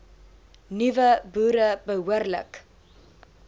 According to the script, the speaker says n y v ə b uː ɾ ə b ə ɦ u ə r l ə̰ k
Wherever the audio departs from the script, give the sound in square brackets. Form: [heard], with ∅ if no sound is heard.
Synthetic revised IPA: n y v ə b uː ɾ ə b ə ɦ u ə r l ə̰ k